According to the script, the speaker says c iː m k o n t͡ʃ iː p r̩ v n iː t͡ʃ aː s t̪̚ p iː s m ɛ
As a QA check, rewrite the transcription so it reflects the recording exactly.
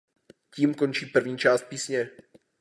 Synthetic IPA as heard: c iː m k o n t͡ʃ iː p r̩ v ɲ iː t͡ʃ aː s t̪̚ p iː s ɲ ɛ